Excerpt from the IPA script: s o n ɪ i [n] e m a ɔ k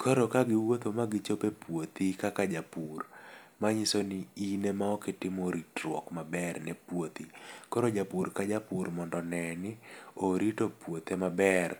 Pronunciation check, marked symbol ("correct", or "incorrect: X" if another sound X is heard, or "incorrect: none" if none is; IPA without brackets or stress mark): correct